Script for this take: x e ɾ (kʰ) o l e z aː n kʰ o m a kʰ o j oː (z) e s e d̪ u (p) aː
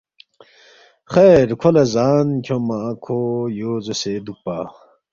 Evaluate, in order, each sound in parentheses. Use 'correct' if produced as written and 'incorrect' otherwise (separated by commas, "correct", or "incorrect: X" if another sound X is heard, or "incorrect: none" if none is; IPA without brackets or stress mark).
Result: correct, correct, correct